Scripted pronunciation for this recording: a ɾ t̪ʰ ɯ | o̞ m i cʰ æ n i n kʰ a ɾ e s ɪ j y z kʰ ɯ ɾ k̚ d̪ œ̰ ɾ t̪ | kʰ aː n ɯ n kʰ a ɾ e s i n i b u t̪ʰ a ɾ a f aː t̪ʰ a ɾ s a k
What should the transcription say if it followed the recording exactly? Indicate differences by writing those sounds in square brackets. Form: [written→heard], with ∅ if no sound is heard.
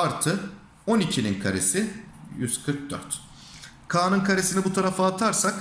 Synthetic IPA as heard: a ɾ t̪ʰ ɯ | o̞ [m→n] i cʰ [æ→i] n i n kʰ a ɾ e s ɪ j y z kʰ ɯ ɾ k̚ d̪ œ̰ ɾ t̪ | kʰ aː n ɯ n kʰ a ɾ e s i n i b u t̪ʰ a ɾ a f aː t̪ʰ a ɾ s a k